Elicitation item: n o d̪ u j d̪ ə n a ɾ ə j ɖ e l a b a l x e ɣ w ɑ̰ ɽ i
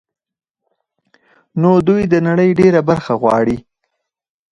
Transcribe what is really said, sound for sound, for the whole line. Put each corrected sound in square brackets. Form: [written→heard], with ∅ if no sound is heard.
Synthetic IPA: n o d̪ u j d̪ ə n a [ɾ→ɽ] ə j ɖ e [l→ɾ] a b a [l→ɾ] x [e→a] ɣ w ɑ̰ ɽ i